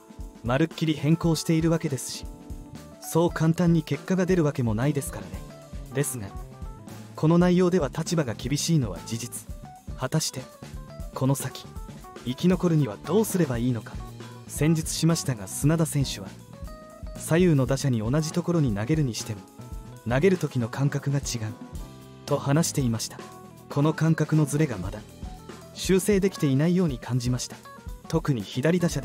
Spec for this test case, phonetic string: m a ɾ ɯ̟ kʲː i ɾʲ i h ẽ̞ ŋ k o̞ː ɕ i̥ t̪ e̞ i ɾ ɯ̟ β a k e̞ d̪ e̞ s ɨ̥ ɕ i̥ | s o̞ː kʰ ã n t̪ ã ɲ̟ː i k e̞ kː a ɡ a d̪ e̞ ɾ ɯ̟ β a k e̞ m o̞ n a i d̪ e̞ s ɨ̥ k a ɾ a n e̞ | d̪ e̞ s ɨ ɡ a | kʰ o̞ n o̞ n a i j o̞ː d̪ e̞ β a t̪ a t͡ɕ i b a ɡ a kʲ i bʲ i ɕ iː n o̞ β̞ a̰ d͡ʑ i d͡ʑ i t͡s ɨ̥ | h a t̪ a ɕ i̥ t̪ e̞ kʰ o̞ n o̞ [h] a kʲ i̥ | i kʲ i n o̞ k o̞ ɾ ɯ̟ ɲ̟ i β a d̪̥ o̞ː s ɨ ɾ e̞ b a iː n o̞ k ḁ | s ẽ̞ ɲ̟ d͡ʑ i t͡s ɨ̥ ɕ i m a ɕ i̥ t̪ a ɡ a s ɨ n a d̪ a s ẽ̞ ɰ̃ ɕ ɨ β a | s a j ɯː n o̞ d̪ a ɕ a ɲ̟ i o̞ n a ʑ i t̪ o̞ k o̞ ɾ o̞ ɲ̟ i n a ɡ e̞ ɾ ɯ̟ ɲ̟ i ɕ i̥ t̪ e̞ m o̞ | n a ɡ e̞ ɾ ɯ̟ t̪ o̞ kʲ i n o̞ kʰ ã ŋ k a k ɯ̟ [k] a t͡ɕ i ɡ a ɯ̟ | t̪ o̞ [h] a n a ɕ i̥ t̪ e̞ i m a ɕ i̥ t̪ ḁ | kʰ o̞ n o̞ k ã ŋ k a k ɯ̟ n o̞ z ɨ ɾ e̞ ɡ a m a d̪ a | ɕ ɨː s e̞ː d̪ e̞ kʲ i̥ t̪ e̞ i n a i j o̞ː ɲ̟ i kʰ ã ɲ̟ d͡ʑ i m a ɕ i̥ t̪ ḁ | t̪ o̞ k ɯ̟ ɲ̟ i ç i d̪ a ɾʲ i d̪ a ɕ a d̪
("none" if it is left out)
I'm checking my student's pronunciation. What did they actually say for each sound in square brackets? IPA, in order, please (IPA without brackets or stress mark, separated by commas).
s, ɡ, h